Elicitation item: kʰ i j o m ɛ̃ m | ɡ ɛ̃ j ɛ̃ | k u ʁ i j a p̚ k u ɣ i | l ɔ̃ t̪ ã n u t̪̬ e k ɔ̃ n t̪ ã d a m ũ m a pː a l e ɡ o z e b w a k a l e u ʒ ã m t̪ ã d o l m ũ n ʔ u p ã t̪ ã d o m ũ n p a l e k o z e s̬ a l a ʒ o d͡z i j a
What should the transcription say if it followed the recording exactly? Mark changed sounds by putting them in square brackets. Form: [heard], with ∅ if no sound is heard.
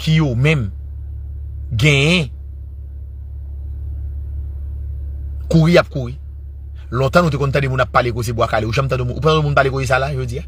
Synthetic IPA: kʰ i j o m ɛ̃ m | ɡ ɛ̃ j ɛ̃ | k u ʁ i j a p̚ k u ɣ i | l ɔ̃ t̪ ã n u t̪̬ e k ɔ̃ n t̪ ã d [e] m ũ [n] a pː a l e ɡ o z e b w a k a l e u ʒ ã m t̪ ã d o [∅] m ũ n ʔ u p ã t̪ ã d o m ũ n p a l e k o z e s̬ a l a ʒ o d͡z i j a